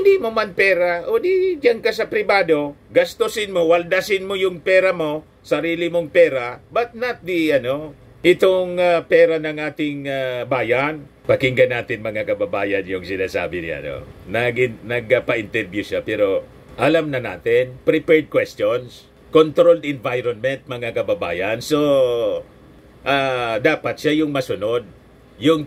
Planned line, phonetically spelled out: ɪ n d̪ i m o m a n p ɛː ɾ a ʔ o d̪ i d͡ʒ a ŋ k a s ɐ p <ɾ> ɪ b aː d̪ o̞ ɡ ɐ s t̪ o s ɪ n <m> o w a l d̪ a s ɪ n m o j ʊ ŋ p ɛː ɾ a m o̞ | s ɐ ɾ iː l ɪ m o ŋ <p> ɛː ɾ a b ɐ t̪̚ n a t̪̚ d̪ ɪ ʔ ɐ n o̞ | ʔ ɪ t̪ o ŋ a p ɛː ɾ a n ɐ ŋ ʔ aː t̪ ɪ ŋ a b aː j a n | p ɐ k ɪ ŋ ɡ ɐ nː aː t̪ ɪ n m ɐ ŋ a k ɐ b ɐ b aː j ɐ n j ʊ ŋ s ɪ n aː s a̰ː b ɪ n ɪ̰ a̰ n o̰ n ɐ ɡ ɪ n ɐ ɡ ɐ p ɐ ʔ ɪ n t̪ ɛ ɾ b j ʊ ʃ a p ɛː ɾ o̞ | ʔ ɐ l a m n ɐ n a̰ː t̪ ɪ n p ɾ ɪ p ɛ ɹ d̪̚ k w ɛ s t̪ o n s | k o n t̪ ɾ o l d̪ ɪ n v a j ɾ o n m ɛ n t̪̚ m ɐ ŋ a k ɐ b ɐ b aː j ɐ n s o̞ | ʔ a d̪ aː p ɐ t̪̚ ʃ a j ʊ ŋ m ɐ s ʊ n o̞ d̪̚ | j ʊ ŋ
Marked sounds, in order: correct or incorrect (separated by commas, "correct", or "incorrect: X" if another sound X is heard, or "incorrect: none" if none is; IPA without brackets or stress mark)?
correct, correct, correct